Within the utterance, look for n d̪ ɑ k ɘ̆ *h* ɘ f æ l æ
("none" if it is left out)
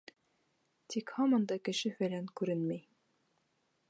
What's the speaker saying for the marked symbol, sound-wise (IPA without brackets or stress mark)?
ʃ